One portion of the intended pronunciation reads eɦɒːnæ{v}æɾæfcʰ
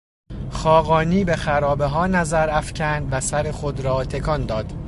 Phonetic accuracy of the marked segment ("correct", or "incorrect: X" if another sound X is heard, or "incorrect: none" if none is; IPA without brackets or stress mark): incorrect: z